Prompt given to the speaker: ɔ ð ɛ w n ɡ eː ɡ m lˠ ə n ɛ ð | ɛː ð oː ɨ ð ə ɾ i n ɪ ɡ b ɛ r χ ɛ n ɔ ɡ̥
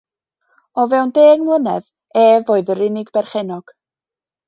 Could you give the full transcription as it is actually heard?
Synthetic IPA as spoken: ɔ v ɛ w n d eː ɡ m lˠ ə n ɛ ð | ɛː v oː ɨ ð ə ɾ ɪ n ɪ ɡ b ɛ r χ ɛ n ɔ ɡ̥